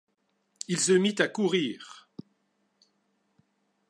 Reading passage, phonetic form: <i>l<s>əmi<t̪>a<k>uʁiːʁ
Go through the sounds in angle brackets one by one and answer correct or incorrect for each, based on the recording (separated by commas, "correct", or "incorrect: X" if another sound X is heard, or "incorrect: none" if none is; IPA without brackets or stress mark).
correct, correct, correct, correct